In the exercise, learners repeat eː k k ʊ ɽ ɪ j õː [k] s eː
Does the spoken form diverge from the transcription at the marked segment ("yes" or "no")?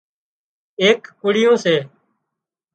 yes